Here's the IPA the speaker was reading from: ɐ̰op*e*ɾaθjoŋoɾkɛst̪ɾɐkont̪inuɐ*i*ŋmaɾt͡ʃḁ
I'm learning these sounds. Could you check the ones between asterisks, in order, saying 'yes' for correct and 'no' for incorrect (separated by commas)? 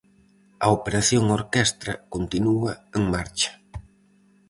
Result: yes, no